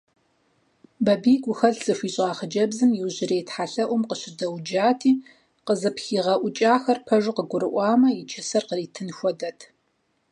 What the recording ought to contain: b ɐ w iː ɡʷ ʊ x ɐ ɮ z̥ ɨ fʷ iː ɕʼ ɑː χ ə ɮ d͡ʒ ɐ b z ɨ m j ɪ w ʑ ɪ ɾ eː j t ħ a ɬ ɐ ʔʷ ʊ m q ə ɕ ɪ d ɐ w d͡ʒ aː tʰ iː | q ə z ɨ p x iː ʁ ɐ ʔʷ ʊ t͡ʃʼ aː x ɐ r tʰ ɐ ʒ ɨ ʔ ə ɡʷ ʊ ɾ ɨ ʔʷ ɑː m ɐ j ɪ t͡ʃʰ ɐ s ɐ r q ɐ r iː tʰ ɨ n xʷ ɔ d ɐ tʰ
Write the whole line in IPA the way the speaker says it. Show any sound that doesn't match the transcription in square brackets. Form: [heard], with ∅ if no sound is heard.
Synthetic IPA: b ɐ [b] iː ɡʷ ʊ x ɐ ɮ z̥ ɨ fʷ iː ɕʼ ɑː χ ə [∅] d͡ʒ ɐ b z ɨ m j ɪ w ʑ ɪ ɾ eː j t ħ a ɬ ɐ ʔʷ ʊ m q ə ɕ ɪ d ɐ w d͡ʒ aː tʰ iː | q ə z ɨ p x iː ʁ ɐ ʔʷ ʊ t͡ʃʼ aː x ɐ r [pʰ] ɐ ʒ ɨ [q] ə ɡʷ ʊ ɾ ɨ ʔʷ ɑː m ɐ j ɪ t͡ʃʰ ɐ s ɐ r q [ə] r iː tʰ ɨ n xʷ ɔ d ɐ tʰ